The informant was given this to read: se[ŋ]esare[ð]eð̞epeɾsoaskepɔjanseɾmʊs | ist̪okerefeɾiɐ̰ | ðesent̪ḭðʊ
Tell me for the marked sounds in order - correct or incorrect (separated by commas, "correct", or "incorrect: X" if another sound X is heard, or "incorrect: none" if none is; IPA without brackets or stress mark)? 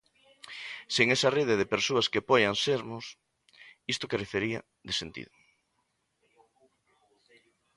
correct, correct